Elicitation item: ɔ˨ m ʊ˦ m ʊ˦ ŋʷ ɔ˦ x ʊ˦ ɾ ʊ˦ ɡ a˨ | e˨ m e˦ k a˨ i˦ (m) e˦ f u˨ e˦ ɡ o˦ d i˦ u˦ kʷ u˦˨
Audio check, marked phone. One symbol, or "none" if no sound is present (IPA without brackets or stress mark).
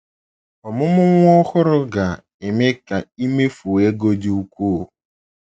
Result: m